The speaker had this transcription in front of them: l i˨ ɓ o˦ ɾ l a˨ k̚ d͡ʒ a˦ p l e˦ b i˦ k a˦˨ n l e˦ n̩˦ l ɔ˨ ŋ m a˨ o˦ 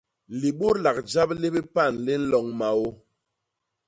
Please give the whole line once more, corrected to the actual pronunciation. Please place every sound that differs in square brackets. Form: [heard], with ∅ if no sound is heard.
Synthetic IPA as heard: l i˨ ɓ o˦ ɾ l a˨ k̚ d͡ʒ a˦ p l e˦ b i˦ [p] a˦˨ n l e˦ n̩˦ l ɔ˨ ŋ m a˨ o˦